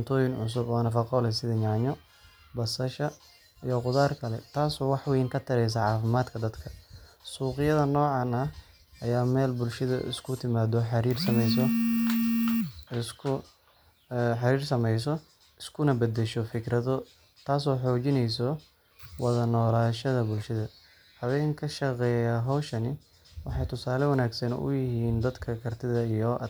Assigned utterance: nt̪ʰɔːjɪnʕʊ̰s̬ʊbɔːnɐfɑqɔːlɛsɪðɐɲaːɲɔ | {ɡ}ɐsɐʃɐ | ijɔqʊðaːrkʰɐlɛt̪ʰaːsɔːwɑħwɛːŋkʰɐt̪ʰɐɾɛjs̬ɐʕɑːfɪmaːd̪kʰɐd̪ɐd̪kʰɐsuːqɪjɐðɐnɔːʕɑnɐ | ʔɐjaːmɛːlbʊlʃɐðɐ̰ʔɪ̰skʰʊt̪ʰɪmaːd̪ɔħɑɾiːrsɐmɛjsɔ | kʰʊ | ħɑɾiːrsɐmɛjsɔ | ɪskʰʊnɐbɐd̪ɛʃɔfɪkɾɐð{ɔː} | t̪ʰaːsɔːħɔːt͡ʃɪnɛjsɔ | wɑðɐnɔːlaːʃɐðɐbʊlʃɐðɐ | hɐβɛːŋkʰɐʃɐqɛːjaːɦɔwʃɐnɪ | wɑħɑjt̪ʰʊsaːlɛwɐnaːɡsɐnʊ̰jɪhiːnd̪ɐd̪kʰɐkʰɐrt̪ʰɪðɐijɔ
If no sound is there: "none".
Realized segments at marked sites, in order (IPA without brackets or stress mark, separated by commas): b, ɔ